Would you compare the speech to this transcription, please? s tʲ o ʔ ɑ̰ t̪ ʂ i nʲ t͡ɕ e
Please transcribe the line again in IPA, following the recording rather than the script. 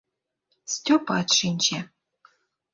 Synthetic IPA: s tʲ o p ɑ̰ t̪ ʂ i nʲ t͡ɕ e